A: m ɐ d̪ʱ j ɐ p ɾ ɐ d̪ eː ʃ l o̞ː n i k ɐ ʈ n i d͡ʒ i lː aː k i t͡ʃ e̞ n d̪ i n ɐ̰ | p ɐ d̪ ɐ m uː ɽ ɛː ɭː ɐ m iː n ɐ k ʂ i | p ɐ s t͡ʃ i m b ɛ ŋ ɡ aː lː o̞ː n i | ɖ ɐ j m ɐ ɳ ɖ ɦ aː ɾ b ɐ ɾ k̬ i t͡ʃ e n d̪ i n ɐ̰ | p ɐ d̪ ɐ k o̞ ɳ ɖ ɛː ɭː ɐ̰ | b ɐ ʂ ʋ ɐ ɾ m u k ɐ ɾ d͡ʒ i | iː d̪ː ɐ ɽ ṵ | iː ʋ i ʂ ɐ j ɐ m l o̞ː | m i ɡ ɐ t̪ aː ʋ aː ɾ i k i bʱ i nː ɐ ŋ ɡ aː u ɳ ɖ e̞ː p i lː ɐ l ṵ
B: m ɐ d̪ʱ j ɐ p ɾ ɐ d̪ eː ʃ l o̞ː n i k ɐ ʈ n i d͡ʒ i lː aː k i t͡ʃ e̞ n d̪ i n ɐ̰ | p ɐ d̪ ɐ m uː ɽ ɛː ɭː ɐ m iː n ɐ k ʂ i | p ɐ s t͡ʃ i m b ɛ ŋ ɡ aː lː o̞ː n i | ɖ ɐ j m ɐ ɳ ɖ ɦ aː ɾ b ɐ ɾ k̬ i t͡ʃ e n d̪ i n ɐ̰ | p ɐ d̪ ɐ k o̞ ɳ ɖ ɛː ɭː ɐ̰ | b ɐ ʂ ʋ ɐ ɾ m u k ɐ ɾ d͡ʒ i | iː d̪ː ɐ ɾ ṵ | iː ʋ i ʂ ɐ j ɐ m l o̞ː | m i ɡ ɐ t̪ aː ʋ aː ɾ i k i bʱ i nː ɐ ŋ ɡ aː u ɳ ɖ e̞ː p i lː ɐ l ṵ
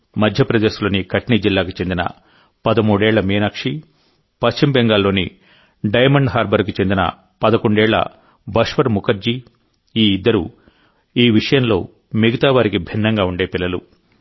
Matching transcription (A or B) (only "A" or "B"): B